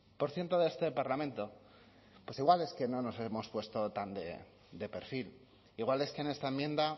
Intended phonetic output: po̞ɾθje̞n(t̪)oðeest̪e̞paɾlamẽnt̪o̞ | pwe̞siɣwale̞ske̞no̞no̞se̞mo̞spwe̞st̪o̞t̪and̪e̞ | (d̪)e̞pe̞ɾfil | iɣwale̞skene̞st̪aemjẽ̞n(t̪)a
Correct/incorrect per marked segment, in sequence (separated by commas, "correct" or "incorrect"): correct, correct, incorrect